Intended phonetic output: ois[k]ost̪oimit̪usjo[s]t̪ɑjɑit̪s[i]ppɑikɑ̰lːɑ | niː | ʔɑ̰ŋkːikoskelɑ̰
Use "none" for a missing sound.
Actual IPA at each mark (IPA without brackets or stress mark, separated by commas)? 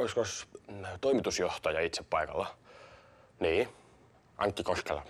k, h, e